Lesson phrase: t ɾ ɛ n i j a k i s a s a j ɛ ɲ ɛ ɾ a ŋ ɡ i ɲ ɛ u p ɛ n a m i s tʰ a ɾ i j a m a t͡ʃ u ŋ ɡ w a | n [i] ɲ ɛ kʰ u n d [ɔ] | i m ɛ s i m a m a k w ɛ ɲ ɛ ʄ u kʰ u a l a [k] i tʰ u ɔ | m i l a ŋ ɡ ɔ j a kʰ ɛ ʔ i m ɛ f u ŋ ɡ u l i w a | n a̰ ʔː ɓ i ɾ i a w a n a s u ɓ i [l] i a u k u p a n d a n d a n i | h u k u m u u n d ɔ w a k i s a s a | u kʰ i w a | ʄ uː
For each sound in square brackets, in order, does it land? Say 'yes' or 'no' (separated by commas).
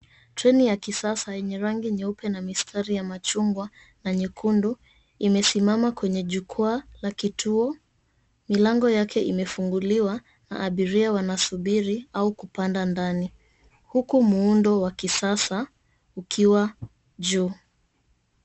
no, no, yes, no